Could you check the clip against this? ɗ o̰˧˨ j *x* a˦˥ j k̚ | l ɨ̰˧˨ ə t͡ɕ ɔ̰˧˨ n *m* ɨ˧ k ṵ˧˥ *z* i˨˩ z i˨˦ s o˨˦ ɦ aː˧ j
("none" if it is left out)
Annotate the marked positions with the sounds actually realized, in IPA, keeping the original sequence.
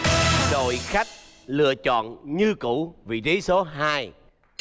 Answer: x, ɲ, v

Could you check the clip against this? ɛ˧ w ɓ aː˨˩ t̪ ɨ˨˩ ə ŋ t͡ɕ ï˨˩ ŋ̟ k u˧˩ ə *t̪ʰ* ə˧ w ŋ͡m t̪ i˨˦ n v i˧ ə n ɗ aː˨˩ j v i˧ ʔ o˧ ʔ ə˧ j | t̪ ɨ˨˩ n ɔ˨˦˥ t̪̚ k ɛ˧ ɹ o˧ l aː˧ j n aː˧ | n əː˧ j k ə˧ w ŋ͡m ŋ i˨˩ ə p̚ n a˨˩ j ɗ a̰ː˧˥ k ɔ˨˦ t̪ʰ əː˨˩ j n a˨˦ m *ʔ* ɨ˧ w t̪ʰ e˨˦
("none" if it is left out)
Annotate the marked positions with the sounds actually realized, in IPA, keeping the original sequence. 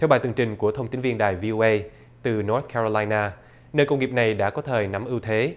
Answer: t̪ʰ, ʔ

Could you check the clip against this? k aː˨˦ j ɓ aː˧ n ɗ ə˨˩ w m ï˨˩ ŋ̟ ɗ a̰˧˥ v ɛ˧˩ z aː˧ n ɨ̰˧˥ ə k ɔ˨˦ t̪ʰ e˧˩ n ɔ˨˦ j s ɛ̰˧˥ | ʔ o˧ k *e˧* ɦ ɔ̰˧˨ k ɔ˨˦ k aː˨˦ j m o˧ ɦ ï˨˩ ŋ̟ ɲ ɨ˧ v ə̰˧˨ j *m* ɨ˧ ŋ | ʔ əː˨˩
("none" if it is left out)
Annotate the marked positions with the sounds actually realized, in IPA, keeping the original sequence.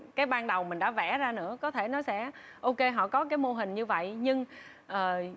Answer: e˧, ɲ

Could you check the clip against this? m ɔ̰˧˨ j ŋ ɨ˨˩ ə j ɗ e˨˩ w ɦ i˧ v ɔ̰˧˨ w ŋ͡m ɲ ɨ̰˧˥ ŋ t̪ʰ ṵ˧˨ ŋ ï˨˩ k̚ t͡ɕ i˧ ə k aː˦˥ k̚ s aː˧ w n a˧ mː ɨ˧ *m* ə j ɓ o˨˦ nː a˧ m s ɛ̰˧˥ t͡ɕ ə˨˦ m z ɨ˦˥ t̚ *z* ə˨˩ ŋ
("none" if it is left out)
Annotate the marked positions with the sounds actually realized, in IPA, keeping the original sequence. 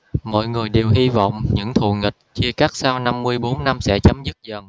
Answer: none, z

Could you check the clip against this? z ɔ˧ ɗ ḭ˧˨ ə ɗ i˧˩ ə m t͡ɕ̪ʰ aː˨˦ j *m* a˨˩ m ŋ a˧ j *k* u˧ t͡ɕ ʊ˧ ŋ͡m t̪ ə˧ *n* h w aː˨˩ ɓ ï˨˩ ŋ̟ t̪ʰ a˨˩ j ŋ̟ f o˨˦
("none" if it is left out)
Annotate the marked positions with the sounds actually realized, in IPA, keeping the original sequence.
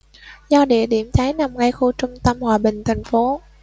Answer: n, x, m

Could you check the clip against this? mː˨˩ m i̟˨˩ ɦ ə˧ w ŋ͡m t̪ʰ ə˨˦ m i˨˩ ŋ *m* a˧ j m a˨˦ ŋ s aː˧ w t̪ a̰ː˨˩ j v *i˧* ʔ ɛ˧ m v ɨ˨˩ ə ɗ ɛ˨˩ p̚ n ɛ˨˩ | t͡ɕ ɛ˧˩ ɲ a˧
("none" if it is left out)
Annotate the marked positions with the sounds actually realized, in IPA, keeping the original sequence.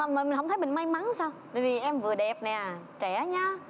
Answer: m, i˨˩

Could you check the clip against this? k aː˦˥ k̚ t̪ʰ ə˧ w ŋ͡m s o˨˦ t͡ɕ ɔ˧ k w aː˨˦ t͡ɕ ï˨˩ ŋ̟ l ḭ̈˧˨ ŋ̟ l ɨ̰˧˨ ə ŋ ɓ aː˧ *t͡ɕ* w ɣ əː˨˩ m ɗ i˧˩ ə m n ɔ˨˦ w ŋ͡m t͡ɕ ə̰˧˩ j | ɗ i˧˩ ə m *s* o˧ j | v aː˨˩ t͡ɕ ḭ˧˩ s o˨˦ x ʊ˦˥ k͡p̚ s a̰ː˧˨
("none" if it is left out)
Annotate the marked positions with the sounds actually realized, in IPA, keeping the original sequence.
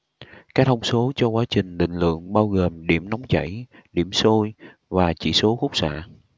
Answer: none, s

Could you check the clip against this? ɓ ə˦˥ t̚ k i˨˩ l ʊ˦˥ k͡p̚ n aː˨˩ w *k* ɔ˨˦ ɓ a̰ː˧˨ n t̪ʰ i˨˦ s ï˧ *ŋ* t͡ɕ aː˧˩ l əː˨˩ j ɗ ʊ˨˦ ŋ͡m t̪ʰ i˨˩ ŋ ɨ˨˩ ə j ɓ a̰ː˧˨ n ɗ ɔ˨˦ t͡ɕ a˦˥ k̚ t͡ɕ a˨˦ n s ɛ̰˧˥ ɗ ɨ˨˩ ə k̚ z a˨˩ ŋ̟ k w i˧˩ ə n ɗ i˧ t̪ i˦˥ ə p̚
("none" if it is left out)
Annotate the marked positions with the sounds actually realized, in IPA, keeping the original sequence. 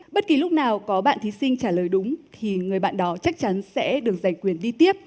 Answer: k, ŋ

